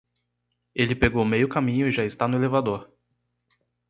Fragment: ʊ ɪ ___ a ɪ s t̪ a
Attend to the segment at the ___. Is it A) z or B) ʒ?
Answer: B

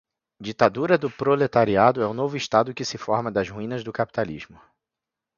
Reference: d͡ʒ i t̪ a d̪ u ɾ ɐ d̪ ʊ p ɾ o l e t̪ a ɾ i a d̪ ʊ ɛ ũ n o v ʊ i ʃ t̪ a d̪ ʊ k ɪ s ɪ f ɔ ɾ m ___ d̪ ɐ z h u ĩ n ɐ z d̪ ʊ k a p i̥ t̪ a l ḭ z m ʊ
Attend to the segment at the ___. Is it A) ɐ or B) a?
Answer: A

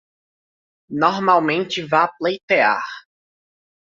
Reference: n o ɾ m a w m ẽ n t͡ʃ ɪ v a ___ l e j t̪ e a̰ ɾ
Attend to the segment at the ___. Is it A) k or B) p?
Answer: B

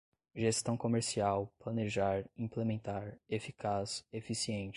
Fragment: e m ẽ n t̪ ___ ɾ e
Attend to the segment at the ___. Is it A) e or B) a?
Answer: B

